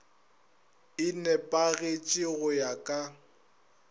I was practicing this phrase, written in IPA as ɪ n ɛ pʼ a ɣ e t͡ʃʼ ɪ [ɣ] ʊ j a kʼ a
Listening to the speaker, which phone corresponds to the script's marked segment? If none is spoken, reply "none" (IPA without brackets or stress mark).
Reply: ɣ